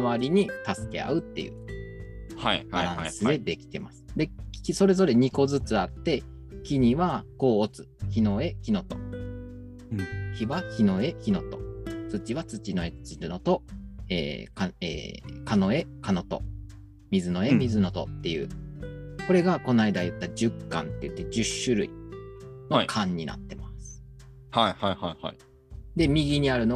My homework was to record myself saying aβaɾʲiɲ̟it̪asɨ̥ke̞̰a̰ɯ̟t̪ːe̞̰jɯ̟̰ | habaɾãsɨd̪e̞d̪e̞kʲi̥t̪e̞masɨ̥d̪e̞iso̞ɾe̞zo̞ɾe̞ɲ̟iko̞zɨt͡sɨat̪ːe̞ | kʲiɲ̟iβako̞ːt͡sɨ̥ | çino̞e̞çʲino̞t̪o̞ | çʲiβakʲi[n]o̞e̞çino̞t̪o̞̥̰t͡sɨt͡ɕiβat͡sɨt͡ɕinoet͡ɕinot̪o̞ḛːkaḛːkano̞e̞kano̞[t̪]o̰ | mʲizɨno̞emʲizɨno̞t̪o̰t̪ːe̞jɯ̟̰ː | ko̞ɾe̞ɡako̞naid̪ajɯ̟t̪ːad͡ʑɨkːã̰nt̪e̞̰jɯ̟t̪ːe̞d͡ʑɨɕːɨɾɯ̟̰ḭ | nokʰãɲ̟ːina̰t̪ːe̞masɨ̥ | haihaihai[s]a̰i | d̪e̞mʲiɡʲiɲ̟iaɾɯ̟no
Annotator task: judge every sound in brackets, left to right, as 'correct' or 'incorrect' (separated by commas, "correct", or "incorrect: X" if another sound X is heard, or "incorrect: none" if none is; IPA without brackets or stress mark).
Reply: correct, correct, incorrect: h